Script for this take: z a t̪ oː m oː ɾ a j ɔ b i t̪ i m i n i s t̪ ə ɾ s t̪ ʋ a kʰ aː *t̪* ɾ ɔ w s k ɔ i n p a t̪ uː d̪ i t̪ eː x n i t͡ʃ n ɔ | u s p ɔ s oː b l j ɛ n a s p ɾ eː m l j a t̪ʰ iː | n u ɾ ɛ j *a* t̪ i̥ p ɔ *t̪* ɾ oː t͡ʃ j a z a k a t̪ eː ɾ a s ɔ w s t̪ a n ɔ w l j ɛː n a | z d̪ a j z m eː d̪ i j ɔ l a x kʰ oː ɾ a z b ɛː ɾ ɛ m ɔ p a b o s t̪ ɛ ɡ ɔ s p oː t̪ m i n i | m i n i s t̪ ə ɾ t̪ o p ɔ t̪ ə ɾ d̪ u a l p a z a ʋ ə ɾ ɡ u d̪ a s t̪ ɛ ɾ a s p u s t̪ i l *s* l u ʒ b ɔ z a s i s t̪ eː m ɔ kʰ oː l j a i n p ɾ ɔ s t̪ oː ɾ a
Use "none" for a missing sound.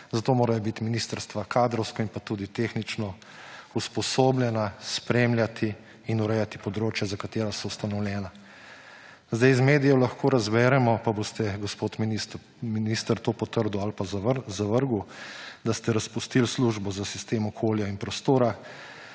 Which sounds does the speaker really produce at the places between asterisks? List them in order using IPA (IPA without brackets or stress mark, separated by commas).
d̪, a, d̪, s